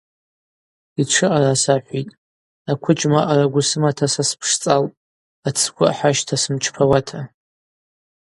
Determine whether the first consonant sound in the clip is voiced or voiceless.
voiceless